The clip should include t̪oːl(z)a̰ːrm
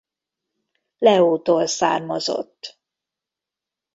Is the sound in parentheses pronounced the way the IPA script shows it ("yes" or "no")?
no